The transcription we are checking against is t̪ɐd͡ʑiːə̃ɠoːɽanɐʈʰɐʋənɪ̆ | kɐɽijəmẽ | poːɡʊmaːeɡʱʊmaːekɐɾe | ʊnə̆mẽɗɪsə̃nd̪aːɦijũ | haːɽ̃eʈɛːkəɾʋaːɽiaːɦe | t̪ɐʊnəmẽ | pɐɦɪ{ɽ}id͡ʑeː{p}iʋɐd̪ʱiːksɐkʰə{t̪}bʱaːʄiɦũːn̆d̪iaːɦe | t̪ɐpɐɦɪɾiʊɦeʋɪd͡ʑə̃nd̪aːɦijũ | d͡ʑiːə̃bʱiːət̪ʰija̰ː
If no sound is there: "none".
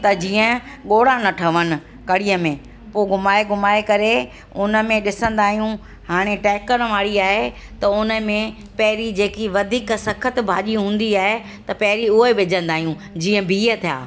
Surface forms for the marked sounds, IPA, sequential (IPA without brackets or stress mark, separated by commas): ɾ, k, t̪